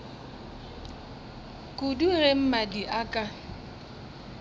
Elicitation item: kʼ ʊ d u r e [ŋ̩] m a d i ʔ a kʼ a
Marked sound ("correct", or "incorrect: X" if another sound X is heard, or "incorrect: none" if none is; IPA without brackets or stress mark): incorrect: m̩